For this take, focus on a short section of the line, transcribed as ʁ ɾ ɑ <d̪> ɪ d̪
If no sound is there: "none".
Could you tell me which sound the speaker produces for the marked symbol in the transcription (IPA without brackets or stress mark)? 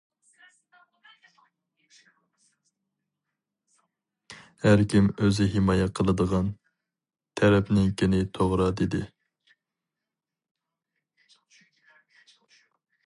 d̪